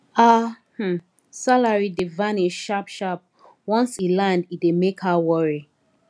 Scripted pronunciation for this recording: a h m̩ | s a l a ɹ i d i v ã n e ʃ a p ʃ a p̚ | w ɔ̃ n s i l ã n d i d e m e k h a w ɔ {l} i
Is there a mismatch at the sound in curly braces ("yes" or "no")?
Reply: yes